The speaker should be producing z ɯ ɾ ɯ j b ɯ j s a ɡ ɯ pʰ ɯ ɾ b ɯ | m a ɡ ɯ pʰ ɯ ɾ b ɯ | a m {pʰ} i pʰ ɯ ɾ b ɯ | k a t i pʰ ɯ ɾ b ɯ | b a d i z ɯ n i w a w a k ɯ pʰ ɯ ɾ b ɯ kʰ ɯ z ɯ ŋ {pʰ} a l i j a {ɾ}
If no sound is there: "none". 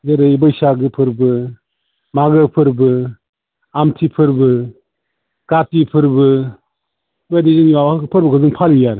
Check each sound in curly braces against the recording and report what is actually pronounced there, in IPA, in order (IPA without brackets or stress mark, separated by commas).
tʰ, pʰ, ɾ